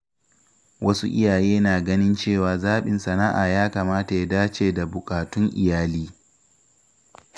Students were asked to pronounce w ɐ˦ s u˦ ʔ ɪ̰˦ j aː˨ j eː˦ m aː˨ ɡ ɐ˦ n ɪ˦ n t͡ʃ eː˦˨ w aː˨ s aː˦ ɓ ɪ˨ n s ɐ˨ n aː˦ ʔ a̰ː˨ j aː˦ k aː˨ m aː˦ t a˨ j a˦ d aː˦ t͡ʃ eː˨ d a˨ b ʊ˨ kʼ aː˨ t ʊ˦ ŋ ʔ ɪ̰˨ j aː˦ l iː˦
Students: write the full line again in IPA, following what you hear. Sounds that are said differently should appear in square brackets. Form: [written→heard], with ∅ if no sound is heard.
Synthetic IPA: w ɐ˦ s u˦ ʔ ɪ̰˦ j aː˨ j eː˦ [m→n] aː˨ ɡ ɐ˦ n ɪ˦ n t͡ʃ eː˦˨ w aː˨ [s→z] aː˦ ɓ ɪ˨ n s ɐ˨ n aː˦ ʔ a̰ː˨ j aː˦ k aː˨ m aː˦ t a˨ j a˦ d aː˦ t͡ʃ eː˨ d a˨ b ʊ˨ kʼ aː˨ t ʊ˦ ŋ ʔ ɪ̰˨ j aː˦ l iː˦